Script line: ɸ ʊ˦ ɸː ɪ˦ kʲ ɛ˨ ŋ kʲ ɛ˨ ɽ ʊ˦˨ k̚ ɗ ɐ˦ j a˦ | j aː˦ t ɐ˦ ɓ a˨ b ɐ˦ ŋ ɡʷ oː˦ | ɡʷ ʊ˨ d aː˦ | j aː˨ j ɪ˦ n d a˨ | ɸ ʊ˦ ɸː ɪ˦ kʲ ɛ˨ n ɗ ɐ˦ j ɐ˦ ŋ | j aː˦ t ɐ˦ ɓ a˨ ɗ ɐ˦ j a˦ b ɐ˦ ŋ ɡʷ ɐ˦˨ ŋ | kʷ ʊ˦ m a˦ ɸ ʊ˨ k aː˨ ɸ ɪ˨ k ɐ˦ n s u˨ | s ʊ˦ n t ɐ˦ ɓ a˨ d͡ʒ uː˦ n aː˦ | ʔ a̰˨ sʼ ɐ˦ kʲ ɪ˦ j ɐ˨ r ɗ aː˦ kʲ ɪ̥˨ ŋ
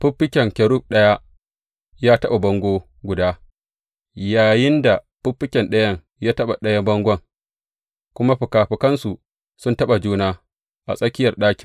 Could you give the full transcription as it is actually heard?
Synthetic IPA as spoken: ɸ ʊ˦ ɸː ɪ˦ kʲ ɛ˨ ŋ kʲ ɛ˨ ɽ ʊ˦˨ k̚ ɗ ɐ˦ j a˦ | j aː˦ t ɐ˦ ɓ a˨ b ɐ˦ ŋ ɡʷ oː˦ | ɡʷ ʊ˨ d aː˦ | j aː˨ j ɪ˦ n d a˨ | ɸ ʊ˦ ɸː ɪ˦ kʲ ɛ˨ n ɗ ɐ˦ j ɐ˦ ŋ | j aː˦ t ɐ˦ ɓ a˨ ɗ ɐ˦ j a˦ b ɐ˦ ŋ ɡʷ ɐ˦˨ ŋ | kʷ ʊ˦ m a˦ ɸ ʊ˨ k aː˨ ɸ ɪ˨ k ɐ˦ n s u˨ | s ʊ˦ n t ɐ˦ ɓ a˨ d͡ʒ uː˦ n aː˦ | ʔ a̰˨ sʼ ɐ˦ kʲ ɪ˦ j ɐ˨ r ɗ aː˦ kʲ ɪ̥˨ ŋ

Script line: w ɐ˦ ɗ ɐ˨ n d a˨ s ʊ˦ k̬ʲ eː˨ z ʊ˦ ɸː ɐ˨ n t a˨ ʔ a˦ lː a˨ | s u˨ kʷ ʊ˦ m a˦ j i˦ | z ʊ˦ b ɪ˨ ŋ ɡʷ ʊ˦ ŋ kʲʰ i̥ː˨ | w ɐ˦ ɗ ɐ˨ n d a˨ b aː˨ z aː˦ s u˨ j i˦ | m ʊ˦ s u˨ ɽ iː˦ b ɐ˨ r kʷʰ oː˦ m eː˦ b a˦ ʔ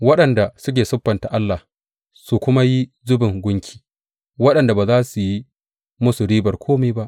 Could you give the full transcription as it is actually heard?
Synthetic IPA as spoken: w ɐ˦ ɗ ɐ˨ n d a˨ s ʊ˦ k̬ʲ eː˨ s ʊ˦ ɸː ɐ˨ n t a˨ ʔ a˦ lː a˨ | s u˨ kʷ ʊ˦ m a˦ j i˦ | z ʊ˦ b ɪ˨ ŋ ɡʷ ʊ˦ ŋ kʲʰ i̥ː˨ | w ɐ˦ ɗ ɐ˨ n d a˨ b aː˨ z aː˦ s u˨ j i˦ | m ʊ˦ s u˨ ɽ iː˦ b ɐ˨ r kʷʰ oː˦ m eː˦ b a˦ ʔ

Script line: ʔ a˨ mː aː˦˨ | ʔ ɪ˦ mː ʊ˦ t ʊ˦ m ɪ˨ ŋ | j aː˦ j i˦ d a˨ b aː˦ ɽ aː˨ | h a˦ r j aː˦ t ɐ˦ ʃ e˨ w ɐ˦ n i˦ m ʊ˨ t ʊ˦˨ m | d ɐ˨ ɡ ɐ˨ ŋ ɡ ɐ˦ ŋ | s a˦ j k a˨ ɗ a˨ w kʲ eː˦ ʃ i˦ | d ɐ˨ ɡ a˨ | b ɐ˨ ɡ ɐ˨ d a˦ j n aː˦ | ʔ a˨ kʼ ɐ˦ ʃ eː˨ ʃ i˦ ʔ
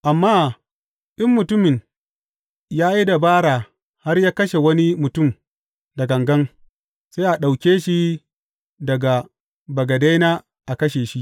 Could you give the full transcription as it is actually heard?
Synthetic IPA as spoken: ʔ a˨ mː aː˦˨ | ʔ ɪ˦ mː ʊ˨ t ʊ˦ m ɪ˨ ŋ | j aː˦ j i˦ d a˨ b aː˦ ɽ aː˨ | h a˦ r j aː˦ k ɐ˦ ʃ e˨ w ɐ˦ n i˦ m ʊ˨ t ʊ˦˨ m | d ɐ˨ ɡ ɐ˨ ŋ ɡ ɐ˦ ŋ | s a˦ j ʔ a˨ ɗ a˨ w kʲ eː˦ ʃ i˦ | d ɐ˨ ɡ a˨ | b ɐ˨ ɡ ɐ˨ d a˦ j n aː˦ | ʔ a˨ k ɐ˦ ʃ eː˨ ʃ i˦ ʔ

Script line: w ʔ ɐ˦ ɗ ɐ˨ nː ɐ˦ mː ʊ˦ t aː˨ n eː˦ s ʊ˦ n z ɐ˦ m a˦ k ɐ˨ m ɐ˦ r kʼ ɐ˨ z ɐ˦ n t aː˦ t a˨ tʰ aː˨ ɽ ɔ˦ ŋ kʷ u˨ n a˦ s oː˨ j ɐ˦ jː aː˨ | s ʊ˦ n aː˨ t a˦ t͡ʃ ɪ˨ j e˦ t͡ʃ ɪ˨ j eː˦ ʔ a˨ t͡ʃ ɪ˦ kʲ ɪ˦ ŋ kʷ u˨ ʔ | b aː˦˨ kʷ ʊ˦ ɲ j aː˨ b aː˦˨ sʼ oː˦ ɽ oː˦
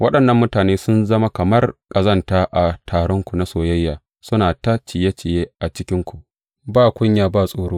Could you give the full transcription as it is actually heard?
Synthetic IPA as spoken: w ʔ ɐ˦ ɗ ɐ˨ nː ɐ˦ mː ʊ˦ t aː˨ n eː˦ s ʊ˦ n z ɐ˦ m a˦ k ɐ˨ m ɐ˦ r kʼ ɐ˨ z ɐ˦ n t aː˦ ʔ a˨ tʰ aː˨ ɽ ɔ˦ ŋ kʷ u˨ n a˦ s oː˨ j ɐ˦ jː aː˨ | s ʊ˦ n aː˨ t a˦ t͡ʃ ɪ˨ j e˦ t͡ʃ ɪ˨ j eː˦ ʔ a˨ t͡ʃ ɪ˦ kʲ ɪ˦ ŋ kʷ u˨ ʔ | b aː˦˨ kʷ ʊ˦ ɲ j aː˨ b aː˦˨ sʼ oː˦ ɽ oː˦

